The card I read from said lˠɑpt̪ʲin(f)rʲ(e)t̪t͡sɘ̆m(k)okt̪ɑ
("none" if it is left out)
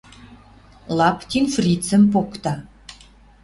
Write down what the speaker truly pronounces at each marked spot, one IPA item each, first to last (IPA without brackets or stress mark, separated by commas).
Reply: f, i, p